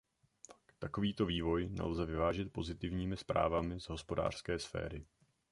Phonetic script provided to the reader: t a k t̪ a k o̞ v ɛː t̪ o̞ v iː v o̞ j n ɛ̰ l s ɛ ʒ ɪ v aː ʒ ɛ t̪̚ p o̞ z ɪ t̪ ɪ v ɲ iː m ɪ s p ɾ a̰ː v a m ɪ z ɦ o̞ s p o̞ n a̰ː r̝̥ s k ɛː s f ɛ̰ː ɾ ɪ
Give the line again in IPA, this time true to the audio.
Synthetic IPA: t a k t̪ a k o̞ v iː t̪ o̞ v iː v o̞ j n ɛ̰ l z ɛ v ɪ v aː ʒ ɛ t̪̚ p o̞ z ɪ t̪ ɪ v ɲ iː m ɪ s p ɾ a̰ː v a m ɪ z ɦ o̞ s p o̞ d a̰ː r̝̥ s k ɛː s f ɛ̰ː ɾ ɪ